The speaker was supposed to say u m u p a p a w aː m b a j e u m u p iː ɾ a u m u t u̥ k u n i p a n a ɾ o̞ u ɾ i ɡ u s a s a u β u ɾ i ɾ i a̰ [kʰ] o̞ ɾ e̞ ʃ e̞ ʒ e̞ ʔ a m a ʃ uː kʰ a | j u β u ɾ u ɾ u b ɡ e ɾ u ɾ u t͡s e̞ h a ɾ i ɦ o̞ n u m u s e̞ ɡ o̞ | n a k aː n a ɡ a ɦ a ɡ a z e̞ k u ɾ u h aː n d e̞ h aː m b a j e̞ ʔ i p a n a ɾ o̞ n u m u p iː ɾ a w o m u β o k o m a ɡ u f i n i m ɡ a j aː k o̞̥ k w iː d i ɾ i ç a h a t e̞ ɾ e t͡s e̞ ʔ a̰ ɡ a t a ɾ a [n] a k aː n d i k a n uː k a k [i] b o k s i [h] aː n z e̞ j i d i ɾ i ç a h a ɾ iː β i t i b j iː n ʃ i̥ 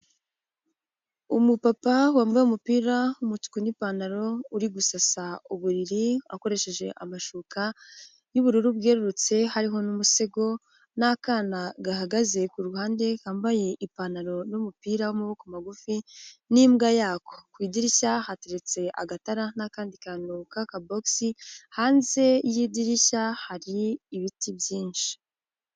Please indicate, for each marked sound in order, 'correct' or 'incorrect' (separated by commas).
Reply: incorrect, correct, incorrect, correct